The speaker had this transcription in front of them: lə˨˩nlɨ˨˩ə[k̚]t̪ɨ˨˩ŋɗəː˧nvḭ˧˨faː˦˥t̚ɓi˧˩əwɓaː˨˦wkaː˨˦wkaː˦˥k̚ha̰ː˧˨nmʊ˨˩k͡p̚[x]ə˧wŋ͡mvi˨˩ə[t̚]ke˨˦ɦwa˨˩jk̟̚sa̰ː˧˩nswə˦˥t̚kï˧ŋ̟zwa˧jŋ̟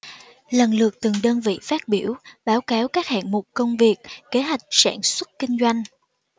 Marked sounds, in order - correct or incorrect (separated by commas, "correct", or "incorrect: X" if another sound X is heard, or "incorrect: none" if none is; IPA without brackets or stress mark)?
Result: correct, incorrect: k, incorrect: k̚